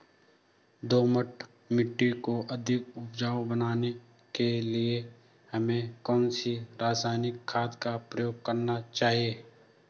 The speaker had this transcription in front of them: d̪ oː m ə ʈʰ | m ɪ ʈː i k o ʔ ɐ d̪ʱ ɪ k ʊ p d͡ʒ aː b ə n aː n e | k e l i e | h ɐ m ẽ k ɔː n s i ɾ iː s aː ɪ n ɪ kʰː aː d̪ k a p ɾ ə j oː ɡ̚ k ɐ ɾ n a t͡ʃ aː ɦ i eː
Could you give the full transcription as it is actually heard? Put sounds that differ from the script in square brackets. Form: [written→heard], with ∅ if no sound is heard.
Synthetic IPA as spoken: d̪ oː m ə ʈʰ | m ɪ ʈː i k o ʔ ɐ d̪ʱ ɪ k ʊ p d͡ʒ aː b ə n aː n e | k e l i e | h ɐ m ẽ k ɔː n s i ɾ [iː→aː] s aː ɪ n ɪ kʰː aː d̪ k a p ɾ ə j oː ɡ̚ k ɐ ɾ n a t͡ʃ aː ɦ i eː